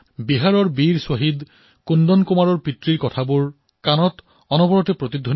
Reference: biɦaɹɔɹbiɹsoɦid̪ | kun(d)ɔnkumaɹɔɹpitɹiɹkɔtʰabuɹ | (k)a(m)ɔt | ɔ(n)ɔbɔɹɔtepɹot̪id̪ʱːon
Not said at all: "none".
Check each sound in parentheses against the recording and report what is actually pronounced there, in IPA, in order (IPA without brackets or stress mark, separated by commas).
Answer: d, k, n, n